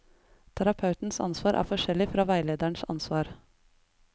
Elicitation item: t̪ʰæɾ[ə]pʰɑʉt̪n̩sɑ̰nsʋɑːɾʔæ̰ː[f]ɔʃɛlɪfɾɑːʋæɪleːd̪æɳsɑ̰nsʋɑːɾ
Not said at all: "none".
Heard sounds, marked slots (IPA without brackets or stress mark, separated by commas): ɑ, f